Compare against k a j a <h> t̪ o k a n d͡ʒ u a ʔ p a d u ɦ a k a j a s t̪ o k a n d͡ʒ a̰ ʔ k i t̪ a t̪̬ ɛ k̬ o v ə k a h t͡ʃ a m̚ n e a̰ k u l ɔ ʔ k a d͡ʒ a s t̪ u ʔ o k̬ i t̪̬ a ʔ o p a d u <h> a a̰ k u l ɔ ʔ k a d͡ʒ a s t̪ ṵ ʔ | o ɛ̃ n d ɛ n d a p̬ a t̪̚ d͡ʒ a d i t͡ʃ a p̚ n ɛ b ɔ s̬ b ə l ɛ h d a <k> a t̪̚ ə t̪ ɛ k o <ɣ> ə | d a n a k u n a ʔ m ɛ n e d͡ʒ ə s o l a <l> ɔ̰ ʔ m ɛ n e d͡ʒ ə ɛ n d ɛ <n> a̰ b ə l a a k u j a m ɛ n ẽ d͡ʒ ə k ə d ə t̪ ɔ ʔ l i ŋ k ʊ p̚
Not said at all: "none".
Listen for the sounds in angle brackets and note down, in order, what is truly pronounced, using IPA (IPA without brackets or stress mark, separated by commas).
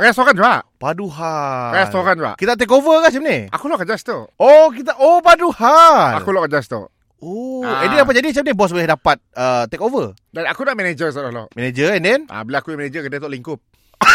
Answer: s, h, p, v, l, n